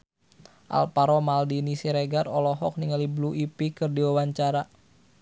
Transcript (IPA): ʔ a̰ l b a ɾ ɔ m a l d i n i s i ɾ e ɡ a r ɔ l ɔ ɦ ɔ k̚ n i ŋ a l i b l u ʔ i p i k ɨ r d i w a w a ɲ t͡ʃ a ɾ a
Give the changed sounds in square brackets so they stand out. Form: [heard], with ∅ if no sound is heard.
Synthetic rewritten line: ʔ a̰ l [p] a ɾ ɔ m a l d i n i s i ɾ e ɡ a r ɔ l ɔ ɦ ɔ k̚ n i ŋ a l i b l u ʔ i p i k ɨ r d i w a w a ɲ t͡ʃ a ɾ a